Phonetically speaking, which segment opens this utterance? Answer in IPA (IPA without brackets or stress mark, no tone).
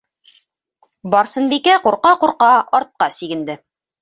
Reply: b